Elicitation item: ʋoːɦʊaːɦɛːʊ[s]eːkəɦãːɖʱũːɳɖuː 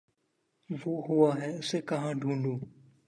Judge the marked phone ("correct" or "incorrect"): correct